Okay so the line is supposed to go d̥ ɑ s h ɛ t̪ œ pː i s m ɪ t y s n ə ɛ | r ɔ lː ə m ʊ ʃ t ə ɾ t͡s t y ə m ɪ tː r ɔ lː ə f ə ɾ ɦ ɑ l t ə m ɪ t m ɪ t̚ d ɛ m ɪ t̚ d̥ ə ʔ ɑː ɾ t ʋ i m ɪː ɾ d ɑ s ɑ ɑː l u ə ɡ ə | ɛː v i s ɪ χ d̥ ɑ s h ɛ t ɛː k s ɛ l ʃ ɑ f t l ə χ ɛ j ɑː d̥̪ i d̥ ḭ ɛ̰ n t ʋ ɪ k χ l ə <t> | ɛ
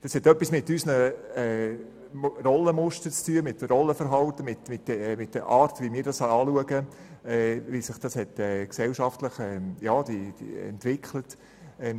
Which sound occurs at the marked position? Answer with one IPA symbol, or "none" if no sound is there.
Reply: t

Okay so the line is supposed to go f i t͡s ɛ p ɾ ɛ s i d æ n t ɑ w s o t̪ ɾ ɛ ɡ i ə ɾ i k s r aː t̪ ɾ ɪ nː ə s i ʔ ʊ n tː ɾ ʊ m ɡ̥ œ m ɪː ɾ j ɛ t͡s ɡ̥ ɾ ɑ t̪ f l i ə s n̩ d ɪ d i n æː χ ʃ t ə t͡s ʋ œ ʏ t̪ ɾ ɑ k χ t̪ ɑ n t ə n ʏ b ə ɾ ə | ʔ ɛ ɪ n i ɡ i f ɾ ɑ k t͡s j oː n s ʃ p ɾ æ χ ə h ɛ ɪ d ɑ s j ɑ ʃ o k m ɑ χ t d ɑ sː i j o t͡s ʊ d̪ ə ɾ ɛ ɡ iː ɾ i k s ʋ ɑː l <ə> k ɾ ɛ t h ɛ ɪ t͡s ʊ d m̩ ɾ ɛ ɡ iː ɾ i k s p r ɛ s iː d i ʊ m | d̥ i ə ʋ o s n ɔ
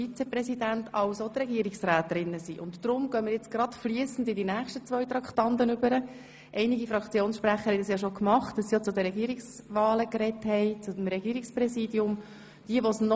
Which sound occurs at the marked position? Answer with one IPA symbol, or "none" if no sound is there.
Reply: ə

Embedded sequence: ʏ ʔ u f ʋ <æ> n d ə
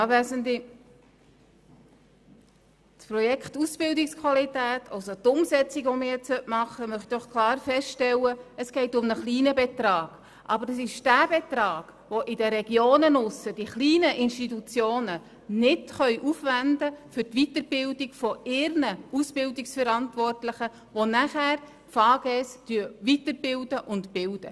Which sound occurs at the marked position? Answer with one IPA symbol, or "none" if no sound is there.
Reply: æ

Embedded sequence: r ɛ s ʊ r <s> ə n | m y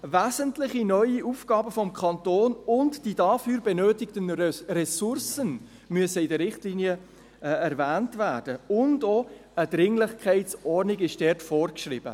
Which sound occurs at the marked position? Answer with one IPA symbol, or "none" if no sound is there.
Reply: s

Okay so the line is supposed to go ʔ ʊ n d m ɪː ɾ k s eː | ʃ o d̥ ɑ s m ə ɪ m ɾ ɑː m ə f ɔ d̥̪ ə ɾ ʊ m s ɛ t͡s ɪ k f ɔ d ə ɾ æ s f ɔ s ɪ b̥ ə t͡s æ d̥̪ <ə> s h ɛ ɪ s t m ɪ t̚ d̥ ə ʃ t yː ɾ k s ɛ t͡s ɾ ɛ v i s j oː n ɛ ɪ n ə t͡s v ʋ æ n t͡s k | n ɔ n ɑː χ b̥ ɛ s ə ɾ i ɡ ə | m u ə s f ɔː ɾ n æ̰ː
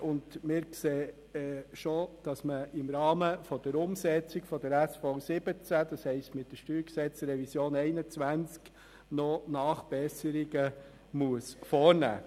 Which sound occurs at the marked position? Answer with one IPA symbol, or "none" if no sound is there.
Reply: ɑ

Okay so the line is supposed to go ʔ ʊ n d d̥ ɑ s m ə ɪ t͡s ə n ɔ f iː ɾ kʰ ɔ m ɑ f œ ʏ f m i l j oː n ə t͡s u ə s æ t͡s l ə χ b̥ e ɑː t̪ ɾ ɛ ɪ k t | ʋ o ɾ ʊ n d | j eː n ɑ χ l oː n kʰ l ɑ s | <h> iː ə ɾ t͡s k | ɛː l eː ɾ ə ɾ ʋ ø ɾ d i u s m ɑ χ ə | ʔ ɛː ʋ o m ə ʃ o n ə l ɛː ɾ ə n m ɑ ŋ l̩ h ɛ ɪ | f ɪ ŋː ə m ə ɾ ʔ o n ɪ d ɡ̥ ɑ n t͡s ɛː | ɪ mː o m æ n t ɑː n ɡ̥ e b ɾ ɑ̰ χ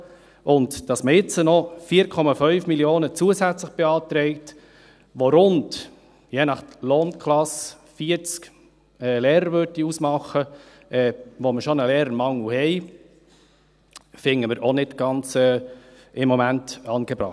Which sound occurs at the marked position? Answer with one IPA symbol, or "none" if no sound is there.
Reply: f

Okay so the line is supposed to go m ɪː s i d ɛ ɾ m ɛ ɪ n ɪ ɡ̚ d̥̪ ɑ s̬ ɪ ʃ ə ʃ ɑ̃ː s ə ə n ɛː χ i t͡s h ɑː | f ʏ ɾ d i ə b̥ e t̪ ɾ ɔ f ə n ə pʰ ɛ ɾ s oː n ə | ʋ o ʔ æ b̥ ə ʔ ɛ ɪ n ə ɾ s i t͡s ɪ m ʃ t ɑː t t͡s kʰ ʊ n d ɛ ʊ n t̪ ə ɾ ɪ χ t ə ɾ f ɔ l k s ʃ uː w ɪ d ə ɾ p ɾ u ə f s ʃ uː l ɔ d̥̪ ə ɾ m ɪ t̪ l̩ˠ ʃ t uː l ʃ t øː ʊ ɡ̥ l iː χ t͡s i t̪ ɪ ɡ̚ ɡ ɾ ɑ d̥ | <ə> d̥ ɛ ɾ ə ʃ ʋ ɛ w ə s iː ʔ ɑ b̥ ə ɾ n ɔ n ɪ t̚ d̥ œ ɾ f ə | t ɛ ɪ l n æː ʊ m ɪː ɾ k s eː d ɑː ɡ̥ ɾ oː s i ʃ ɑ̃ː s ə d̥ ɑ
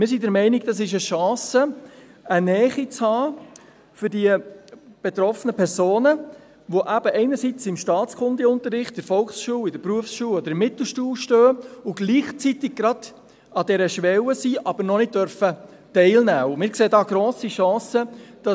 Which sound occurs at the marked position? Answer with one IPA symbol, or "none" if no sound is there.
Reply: ɑ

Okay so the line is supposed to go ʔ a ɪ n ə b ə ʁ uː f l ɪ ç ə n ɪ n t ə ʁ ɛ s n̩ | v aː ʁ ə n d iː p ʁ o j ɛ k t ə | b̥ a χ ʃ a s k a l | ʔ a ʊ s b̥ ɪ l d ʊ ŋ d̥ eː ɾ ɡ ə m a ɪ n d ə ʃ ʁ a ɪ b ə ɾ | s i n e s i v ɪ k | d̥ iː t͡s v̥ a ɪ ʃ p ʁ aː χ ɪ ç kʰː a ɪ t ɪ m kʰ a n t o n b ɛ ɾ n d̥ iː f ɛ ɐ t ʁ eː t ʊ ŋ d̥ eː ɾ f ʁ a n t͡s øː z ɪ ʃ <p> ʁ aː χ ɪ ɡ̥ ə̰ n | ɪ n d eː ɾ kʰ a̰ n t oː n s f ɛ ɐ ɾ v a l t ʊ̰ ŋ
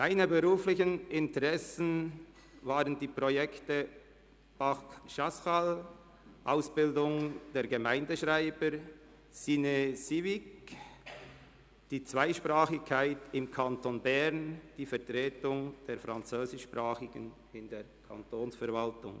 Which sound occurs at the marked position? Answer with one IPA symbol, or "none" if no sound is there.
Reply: p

